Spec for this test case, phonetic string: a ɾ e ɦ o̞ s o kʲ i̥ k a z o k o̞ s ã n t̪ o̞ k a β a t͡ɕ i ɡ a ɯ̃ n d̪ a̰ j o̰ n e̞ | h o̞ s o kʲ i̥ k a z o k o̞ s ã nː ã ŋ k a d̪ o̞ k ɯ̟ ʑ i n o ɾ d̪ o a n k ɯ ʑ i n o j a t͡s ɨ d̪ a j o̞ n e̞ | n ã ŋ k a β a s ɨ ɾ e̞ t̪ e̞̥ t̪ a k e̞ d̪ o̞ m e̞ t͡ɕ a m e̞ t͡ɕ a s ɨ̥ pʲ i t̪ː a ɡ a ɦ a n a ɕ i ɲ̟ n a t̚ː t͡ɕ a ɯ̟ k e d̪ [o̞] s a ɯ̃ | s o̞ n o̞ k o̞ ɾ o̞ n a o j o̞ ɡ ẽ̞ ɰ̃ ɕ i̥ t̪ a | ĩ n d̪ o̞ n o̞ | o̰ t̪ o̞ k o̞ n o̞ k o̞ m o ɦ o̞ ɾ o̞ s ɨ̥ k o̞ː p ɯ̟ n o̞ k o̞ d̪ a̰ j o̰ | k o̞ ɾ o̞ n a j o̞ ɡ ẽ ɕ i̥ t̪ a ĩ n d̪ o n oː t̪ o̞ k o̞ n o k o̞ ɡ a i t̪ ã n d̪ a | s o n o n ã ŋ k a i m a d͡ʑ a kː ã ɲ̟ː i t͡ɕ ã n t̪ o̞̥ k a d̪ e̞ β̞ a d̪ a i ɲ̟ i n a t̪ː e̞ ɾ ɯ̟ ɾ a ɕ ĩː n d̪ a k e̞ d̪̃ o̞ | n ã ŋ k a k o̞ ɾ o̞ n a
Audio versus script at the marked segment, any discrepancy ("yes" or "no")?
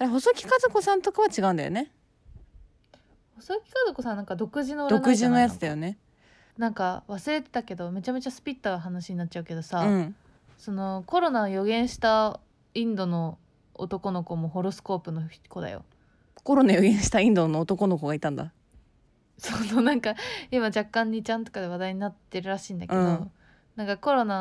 no